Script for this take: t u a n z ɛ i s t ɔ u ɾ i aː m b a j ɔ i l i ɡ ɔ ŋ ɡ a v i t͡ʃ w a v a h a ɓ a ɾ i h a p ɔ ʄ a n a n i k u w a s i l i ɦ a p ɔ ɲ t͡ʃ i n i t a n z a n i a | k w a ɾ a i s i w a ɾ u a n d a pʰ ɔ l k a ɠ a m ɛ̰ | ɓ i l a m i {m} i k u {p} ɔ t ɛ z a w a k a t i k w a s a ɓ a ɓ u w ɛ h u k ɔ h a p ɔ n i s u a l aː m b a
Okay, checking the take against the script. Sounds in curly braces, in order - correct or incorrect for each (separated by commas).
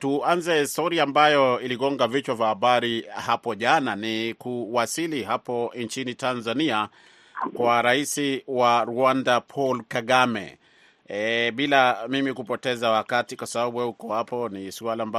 correct, correct